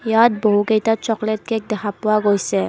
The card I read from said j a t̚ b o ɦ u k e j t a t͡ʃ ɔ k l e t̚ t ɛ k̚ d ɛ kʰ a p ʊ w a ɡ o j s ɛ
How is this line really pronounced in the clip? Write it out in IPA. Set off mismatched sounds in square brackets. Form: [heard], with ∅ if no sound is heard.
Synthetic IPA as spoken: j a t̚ b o ɦ u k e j t a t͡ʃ ɔ k l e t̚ [k] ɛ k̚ d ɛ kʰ a p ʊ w a ɡ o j s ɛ